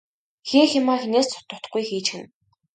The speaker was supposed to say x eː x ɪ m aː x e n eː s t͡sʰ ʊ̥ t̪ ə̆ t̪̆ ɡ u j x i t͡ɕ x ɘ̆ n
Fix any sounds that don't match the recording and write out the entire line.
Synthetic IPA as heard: x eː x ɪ m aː x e n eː s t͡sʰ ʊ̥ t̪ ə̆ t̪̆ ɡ u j x iː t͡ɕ x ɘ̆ n